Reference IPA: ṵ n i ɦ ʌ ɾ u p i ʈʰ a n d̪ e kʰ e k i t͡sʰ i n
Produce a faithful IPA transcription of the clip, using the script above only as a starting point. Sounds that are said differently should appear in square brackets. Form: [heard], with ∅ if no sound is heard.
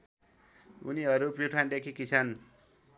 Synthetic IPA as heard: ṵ n i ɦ ʌ ɾ u p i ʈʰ a n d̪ e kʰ [i] k i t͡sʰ [a] n

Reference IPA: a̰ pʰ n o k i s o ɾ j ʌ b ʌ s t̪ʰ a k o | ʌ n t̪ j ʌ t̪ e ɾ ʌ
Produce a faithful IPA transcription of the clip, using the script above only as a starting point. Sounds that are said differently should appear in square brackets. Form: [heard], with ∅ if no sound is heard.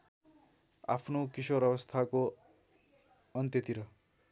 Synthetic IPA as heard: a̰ pʰ n o k i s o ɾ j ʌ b ʌ s t̪ʰ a k o | ʌ n t̪ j ʌ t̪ [i] ɾ ʌ

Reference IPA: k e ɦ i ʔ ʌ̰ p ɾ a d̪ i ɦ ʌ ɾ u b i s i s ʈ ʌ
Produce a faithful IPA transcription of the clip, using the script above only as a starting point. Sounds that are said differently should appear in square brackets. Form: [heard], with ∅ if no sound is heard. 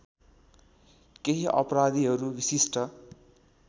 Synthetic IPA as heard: k e ɦ i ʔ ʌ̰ p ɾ a d̪ i ɦ ʌ ɾ u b i s i s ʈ ʌ

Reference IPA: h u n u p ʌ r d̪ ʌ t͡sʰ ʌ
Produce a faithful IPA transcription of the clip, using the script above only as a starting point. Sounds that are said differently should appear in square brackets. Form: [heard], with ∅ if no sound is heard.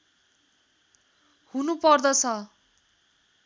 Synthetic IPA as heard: h u n u p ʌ r d̪ ʌ t͡sʰ ʌ

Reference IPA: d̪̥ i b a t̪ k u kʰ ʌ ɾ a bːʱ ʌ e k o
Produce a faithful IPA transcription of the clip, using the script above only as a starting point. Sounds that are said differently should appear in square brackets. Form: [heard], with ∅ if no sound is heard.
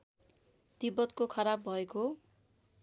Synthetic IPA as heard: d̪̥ i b [ʌ] t̪ k [o] kʰ ʌ ɾ a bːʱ ʌ e k o

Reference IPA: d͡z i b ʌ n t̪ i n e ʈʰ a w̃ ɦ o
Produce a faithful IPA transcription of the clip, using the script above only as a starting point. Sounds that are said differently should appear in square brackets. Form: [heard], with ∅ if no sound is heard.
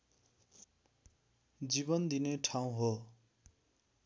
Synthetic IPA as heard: d͡z i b ʌ n [d̪] i n e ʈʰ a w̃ ɦ o

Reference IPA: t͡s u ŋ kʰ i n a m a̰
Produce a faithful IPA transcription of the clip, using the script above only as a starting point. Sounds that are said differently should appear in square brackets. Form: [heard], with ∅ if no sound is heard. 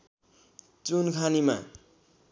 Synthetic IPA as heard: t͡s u [n] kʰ [a] n [i] m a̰

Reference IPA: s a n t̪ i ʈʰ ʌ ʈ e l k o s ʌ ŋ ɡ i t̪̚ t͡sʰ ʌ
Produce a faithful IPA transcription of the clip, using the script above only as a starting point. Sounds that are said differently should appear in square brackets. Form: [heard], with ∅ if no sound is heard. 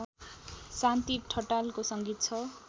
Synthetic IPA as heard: s a n t̪ i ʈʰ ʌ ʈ [a] l k o s ʌ ŋ ɡ i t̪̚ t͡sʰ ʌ

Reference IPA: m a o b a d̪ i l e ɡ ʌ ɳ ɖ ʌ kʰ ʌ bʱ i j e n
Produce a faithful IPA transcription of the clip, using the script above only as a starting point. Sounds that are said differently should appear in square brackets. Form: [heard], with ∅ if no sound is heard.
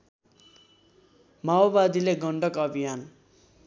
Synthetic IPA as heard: m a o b a d̪ i l e ɡ ʌ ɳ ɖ ʌ [k] ʌ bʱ i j [a] n

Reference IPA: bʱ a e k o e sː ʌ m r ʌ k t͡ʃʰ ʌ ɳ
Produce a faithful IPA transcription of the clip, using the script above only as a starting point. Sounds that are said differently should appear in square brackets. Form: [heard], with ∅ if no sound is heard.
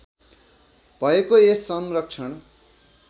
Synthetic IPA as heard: bʱ [ʌ] e k o e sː ʌ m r ʌ k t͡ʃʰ ʌ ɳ

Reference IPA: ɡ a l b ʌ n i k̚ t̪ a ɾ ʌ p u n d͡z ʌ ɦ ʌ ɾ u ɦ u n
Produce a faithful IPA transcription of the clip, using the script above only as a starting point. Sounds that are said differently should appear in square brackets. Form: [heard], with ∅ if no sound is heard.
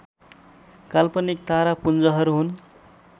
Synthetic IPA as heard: [k] a l [p] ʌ n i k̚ t̪ a ɾ [a] p u n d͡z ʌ ɦ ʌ ɾ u ɦ u n

